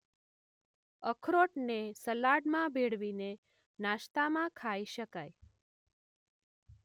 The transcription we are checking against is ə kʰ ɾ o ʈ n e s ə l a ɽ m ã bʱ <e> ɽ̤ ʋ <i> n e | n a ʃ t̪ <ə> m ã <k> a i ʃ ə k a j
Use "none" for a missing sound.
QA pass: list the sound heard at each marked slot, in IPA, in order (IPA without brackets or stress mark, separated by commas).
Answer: e, i, a, kʰ